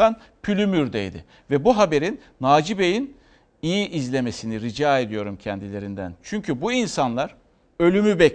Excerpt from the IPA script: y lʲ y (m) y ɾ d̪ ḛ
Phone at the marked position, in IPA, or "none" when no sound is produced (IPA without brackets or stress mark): m